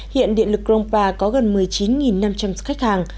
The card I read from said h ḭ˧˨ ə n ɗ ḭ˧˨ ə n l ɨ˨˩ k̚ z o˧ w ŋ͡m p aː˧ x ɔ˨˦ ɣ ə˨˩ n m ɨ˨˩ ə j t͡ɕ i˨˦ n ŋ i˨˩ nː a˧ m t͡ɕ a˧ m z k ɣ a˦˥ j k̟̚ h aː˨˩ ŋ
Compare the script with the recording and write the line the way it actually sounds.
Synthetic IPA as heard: h ḭ˧˨ ə n ɗ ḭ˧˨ ə n l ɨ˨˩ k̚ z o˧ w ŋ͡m p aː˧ k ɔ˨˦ ɣ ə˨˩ n m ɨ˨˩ ə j t͡ɕ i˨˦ n ŋ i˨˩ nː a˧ m t͡ɕ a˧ m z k x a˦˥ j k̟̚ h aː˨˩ ŋ